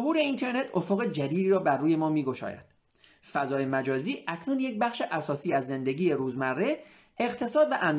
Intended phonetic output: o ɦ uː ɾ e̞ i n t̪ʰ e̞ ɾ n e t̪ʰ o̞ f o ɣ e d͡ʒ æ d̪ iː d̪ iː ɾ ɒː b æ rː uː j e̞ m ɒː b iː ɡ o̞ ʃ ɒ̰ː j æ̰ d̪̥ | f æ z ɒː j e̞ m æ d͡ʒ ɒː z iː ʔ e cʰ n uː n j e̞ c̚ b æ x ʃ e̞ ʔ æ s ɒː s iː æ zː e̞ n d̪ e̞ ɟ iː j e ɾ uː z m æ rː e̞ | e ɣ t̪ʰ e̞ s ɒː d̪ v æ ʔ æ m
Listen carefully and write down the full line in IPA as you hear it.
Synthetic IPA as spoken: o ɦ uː ɾ e̞ i n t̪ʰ e̞ ɾ n e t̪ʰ o̞ f o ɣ e d͡ʒ æ d̪ iː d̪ iː ɾ ɒː b æ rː uː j e̞ m ɒː m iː ɡ o̞ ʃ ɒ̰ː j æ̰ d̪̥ | f æ z ɒː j e̞ m æ d͡ʒ ɒː z iː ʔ æ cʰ n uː n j e̞ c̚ b æ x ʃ e̞ ʔ æ s ɒː s iː æ zː e̞ n d̪ e̞ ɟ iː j e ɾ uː z m æ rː e̞ | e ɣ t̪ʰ e̞ s ɒː d̪ v æ ʔ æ m